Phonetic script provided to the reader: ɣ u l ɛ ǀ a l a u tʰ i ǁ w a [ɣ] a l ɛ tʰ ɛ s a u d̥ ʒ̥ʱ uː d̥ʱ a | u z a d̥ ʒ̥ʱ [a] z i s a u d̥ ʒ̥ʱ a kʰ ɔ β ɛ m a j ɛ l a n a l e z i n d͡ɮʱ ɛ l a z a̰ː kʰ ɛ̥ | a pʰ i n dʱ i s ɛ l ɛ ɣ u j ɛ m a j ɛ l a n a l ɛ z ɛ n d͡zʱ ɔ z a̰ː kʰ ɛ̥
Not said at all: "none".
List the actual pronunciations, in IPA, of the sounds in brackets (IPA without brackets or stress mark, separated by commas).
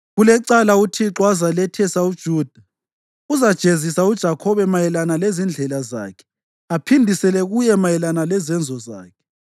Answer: z, e